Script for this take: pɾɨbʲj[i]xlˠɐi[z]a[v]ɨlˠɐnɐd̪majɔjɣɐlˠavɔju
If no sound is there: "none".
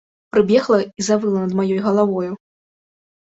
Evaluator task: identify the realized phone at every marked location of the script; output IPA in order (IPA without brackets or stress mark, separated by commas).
ɛ, z, v